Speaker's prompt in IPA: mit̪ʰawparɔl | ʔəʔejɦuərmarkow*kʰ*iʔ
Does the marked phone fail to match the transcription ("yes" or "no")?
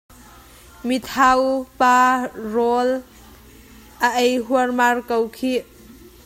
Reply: no